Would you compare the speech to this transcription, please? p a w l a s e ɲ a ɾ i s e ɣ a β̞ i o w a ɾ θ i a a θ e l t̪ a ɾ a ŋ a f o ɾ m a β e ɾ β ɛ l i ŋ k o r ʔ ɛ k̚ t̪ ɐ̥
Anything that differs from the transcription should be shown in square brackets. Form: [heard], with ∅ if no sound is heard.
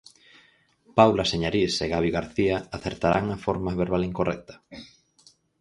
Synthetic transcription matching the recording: p a w l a s e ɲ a ɾ i s e ɣ a β̞ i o [ɣ] a ɾ θ i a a θ e [ɾ] t̪ a ɾ a ŋ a f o ɾ m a β e ɾ β [a] l i ŋ k o r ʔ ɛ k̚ t̪ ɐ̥